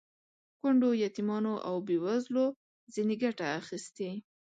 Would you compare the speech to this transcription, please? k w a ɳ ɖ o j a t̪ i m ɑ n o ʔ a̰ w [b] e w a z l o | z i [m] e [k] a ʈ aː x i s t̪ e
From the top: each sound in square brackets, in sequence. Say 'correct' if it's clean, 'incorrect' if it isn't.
correct, incorrect, incorrect

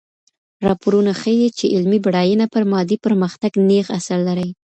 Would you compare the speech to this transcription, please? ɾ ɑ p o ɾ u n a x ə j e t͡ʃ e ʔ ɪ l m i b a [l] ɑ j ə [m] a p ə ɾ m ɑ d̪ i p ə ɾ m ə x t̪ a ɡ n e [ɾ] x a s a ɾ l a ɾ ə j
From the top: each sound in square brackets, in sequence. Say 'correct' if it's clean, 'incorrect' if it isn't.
incorrect, incorrect, incorrect

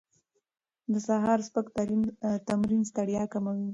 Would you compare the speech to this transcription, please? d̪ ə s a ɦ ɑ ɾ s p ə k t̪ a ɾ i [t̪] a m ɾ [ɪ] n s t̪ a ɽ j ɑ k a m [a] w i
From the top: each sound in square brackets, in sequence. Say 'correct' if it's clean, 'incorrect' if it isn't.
correct, incorrect, correct

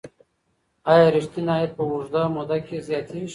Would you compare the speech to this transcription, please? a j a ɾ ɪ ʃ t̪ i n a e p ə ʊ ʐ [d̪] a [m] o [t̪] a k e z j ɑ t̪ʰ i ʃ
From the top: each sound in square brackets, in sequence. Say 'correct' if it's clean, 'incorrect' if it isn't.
correct, correct, incorrect

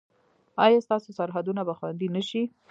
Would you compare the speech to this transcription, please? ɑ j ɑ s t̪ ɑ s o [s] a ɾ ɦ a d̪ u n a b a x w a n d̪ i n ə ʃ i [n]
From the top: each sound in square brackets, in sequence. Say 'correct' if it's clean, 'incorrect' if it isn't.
correct, incorrect

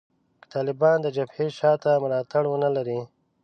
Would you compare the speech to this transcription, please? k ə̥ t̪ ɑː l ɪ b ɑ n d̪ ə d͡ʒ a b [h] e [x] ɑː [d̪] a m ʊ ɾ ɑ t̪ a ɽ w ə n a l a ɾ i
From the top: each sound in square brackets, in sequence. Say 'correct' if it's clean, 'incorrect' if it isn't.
correct, incorrect, incorrect

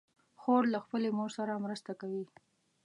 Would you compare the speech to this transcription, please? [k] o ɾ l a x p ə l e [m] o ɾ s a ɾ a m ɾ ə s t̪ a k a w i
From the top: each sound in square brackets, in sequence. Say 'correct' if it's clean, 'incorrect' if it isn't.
incorrect, correct

